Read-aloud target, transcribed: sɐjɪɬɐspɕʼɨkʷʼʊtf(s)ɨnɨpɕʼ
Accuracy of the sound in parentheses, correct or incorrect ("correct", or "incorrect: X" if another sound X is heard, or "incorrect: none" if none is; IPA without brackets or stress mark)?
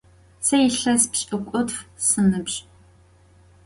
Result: correct